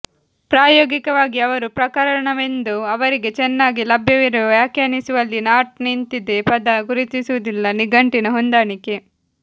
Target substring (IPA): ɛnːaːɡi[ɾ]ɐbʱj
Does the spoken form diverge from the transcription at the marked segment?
yes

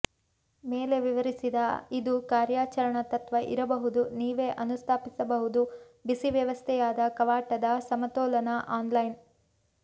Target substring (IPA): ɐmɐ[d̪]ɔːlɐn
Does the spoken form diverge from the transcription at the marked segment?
yes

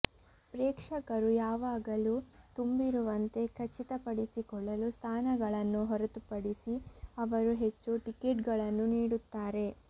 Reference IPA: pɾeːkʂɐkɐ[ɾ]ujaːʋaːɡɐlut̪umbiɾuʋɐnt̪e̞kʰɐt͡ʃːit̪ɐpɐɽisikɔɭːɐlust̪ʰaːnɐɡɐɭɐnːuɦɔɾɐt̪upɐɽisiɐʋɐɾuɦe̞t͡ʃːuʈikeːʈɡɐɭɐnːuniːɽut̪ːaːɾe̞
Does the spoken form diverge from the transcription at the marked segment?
no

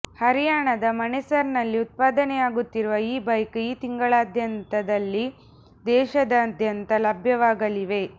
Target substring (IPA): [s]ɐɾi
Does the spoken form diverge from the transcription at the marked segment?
yes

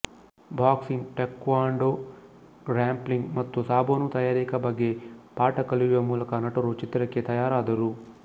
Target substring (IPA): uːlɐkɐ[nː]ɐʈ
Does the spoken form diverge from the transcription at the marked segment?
yes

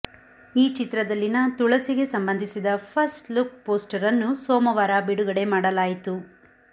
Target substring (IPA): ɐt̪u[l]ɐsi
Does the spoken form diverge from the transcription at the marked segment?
yes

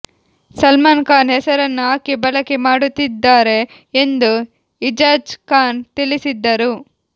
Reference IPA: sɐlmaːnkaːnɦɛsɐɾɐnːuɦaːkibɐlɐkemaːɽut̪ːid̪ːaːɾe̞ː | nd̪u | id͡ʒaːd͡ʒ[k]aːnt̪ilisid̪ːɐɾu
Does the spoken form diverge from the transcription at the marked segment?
no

